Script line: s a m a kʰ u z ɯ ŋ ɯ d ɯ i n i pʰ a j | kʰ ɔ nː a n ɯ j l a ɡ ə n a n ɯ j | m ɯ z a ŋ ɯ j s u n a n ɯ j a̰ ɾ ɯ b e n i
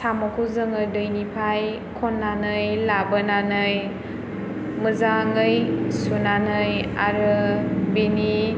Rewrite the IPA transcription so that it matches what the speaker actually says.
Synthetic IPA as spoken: s a m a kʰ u z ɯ ŋ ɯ d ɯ j n i pʰ a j | kʰ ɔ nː a n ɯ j l a b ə n a n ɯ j | m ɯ z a ŋ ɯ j s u n a n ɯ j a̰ ɾ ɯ b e n i